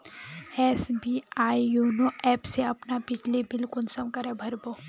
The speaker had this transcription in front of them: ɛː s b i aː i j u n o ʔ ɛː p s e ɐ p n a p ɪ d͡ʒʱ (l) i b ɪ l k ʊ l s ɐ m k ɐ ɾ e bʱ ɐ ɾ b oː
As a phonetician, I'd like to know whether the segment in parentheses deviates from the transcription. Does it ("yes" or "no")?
no